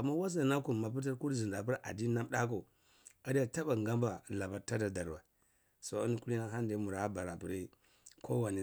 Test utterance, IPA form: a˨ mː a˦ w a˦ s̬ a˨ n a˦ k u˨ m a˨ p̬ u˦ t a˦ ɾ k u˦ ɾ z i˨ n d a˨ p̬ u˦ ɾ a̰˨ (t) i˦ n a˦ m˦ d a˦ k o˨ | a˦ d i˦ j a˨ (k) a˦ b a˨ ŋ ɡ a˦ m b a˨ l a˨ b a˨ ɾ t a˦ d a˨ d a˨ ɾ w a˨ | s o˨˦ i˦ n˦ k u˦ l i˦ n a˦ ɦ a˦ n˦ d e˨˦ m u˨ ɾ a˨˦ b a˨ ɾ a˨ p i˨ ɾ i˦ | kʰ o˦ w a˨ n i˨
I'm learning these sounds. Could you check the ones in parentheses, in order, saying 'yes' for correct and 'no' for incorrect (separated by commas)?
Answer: no, no